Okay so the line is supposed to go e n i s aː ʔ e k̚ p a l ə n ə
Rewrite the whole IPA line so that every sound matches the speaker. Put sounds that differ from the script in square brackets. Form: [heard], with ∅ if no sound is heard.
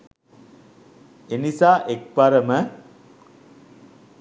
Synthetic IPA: e n i s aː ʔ e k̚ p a [ɾ] ə [m] ə